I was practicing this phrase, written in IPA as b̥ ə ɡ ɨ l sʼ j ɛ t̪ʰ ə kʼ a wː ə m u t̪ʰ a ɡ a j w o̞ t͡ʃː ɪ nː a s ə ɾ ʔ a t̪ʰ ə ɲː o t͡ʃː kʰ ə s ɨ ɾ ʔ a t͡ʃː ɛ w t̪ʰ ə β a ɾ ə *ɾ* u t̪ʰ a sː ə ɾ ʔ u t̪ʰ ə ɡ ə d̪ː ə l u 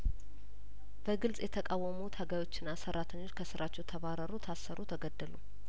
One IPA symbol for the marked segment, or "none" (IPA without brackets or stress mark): ɾ